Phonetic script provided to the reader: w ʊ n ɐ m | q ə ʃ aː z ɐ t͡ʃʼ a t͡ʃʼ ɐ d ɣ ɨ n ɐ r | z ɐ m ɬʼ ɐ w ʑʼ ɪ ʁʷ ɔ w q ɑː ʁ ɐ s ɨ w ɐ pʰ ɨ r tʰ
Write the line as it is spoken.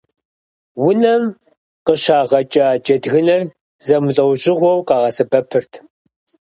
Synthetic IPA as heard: w ʊ n ɐ m | q ə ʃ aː ʁ ɐ t͡ʃʼ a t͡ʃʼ ɐ d ɣ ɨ n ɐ r | z ɐ m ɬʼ ɐ w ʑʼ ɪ ʁʷ ɔ w q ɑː ʁ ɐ s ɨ b ɐ pʰ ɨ r tʰ